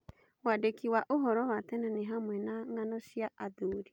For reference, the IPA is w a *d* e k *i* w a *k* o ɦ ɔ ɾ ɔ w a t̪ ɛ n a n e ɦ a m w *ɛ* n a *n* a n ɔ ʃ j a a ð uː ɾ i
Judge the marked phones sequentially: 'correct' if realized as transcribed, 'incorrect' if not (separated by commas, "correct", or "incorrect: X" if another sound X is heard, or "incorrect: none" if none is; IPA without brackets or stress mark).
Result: correct, correct, incorrect: ʔ, correct, incorrect: ŋ